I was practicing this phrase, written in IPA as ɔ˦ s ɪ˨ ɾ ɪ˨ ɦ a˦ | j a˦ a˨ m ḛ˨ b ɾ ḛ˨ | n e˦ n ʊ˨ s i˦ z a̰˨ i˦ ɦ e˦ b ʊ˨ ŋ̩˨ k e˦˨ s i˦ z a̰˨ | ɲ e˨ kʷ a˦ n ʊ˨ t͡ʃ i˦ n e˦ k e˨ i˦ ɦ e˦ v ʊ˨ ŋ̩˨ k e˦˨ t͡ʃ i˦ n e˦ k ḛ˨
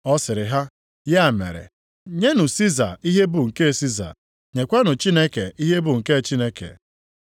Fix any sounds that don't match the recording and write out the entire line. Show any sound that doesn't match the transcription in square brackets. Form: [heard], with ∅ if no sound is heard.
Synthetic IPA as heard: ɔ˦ s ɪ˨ ɾ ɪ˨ ɦ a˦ | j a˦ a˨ m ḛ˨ [∅] ɾ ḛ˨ | [ɲ] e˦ n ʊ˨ s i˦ z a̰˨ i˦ ɦ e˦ b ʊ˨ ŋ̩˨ k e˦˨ s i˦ z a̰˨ | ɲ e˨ kʷ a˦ n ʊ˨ t͡ʃ i˦ n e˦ k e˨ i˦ ɦ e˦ [b] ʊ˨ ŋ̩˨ k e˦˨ t͡ʃ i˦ n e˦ k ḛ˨